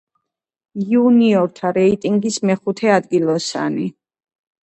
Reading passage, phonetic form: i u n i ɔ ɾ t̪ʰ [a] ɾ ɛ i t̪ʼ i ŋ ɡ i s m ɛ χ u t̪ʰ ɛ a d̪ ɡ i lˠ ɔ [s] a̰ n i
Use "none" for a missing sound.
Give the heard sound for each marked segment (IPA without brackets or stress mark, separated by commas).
a, s